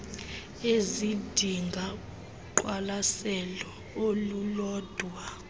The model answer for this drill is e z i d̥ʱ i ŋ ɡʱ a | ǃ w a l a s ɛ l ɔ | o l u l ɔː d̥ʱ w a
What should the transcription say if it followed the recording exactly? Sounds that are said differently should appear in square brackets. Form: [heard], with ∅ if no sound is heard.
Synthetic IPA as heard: e z i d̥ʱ i ŋ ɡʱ a | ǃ w a l a s ɛ l ɔ | o l u l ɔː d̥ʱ w a